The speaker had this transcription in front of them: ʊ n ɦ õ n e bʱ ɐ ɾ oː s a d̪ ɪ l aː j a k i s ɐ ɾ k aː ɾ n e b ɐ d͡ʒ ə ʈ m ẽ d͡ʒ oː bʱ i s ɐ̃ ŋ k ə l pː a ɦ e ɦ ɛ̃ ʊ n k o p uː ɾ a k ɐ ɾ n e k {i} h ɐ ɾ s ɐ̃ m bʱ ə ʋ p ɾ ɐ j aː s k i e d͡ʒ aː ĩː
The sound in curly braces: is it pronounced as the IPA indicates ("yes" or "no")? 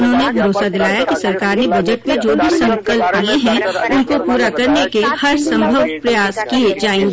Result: no